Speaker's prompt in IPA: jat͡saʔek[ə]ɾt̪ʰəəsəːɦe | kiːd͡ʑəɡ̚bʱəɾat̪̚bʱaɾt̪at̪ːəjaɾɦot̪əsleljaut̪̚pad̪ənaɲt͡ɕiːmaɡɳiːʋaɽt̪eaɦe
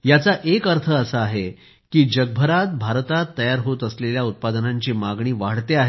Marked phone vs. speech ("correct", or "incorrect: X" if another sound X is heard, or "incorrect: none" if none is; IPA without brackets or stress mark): correct